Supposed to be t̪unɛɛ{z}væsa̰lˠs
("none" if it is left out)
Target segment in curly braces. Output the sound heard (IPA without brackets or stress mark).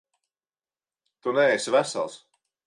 s